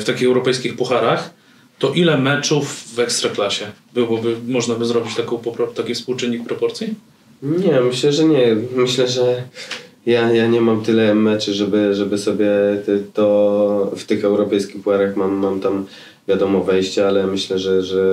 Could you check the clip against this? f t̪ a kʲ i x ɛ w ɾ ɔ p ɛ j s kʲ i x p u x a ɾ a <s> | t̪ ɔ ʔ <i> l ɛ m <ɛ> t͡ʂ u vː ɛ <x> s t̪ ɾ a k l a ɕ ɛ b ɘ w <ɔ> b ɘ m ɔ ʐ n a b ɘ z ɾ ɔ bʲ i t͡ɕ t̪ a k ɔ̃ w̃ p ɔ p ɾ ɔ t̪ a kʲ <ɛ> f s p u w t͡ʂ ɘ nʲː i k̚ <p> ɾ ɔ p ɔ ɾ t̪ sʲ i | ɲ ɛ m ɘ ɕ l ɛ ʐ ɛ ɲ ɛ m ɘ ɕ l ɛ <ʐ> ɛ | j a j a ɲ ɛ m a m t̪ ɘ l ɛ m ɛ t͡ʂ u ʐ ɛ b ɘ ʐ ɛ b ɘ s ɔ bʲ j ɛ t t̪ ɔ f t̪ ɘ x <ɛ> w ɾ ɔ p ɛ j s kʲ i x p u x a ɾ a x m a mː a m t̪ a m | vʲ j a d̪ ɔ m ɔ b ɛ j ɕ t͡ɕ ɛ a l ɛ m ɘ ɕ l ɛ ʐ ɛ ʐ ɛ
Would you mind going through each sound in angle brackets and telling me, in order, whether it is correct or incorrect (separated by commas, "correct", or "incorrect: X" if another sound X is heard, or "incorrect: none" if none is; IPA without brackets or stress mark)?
incorrect: x, correct, correct, incorrect: k, correct, incorrect: i, correct, correct, correct